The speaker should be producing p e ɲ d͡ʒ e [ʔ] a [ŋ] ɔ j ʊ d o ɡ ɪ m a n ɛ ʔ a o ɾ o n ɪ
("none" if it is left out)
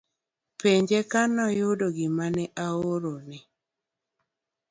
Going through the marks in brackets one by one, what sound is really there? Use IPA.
k, n

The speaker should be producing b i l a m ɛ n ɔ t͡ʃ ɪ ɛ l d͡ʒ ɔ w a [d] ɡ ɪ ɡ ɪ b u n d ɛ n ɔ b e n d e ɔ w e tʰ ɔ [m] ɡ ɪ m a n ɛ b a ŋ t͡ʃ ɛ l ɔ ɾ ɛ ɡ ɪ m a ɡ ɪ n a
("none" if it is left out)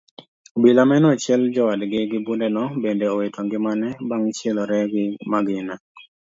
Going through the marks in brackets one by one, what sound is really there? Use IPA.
d, ŋ

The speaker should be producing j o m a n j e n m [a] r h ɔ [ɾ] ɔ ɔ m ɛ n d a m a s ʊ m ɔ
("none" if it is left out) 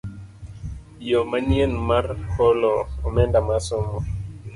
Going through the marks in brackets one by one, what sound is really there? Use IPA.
a, l

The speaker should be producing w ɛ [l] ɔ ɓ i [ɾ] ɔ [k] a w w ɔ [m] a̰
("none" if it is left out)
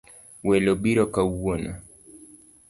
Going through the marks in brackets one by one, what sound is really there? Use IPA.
l, ɾ, k, n

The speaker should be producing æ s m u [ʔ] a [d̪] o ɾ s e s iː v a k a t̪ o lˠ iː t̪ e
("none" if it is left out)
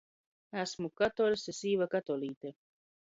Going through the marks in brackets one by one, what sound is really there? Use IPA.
k, t̪

